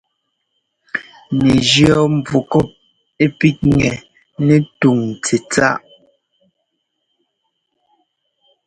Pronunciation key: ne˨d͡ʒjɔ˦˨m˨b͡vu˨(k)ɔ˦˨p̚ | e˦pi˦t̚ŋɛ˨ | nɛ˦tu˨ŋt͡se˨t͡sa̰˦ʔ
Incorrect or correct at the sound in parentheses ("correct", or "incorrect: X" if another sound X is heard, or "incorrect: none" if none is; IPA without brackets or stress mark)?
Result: correct